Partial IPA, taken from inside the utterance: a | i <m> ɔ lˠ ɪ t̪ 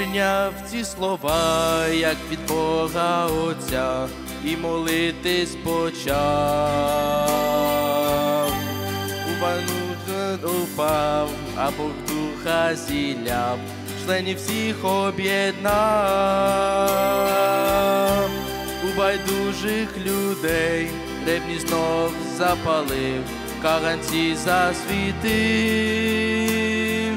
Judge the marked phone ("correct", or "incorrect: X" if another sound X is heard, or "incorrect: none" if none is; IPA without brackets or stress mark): correct